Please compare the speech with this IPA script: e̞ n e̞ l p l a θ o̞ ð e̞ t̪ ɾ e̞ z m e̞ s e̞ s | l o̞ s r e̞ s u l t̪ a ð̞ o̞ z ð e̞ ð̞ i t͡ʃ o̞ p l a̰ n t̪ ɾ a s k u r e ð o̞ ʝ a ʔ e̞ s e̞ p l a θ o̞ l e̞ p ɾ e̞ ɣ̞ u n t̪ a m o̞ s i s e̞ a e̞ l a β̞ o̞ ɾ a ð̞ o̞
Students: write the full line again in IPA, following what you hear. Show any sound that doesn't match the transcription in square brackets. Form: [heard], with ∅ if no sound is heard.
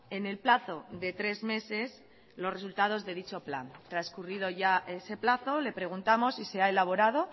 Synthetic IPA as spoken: e̞ n e̞ l p l a θ o̞ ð e̞ t̪ ɾ e̞ z m e̞ s e̞ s | l o̞ s r e̞ s u l t̪ a ð̞ o̞ z ð e̞ ð̞ i t͡ʃ o̞ p l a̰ n t̪ ɾ a s k u r [i] ð o̞ ʝ a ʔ e̞ s e̞ p l a θ o̞ l e̞ p ɾ e̞ ɣ̞ u n t̪ a m o̞ s i s e̞ a e̞ l a β̞ o̞ ɾ a ð̞ o̞